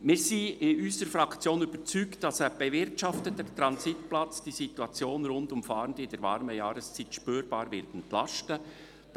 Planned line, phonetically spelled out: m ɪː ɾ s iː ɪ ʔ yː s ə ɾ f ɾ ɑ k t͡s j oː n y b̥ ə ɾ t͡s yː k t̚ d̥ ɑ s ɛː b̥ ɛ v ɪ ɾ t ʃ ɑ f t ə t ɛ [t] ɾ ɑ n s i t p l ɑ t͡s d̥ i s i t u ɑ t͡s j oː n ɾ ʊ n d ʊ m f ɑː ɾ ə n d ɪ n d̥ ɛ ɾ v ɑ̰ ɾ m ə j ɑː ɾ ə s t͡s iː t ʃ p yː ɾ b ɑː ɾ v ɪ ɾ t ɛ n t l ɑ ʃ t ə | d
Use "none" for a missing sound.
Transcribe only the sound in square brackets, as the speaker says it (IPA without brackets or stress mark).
t